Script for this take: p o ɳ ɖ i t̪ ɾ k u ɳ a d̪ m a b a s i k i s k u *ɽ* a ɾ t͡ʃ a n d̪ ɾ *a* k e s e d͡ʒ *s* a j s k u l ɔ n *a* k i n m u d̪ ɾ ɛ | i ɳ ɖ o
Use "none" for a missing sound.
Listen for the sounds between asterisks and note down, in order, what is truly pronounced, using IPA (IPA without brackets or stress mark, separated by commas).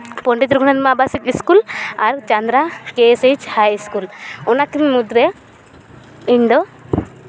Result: l, a, h, a